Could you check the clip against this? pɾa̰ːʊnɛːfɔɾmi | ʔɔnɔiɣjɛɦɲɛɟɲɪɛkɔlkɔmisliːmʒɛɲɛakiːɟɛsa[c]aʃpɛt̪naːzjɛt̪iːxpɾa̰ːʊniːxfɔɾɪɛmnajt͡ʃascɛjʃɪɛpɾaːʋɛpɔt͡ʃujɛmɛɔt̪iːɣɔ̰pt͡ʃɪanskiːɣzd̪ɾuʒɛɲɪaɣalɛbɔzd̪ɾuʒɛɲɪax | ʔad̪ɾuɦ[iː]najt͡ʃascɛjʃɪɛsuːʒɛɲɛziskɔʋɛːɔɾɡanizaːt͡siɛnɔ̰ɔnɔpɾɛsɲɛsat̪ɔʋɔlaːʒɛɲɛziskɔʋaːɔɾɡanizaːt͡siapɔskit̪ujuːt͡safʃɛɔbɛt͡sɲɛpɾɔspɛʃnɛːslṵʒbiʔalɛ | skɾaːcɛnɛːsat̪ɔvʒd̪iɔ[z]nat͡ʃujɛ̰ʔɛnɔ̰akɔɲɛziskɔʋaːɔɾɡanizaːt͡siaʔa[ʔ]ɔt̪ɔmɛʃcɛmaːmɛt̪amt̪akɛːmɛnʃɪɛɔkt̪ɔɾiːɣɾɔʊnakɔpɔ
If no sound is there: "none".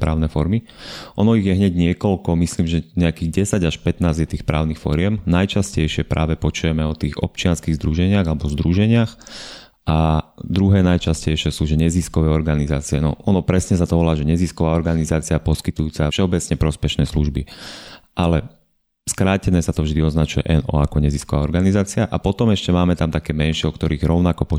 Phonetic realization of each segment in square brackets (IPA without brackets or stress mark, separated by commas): ɟ, ɛː, z, p